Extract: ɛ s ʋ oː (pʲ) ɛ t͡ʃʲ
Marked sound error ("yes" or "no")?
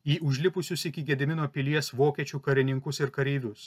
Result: yes